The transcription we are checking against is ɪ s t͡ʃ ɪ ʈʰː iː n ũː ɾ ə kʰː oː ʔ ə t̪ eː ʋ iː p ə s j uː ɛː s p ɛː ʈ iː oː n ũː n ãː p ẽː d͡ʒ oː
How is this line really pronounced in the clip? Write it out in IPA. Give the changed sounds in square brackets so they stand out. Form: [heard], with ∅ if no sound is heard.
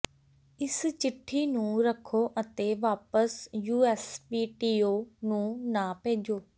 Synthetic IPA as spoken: ɪ s t͡ʃ ɪ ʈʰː iː n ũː ɾ ə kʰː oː ʔ ə t̪ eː ʋ [aː] p ə s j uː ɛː s p [iː] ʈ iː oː n ũː n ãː p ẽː d͡ʒ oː